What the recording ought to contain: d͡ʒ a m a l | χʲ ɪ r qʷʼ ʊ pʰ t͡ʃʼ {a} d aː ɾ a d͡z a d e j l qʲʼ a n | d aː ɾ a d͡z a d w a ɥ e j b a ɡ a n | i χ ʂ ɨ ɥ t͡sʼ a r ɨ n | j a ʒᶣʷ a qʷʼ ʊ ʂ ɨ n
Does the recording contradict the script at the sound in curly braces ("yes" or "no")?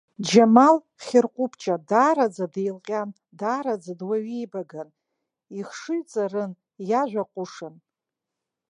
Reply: no